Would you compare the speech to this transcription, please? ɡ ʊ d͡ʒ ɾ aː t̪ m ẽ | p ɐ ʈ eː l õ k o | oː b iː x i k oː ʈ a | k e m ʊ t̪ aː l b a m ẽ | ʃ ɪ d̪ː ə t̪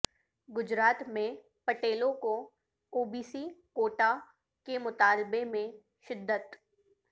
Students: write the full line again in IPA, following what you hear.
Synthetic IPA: ɡ ʊ d͡ʒ ɾ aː t̪ m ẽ | p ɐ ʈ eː l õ k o | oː b iː s i k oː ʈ a | k e m ʊ t̪ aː l b e m ẽ | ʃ ɪ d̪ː ə t̪